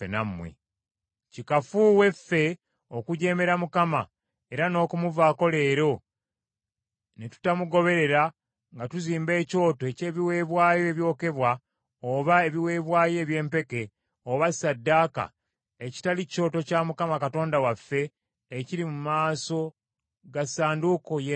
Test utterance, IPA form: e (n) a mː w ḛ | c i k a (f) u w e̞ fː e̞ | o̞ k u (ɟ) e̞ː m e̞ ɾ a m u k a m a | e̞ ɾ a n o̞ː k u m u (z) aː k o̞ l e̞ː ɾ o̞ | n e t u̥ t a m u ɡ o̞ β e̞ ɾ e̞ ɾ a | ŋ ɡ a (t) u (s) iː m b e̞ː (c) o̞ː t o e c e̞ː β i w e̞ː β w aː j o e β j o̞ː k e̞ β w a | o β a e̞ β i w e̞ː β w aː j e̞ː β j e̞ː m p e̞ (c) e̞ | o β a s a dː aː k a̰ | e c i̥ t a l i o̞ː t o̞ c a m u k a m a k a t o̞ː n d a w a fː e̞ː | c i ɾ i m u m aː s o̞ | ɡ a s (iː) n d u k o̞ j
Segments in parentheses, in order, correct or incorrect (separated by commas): correct, correct, correct, incorrect, correct, incorrect, correct, incorrect, incorrect